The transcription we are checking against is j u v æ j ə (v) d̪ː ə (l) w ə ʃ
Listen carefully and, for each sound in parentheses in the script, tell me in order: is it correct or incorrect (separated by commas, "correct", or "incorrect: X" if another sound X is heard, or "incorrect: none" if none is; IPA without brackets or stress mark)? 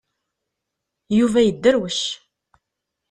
incorrect: none, incorrect: ɾ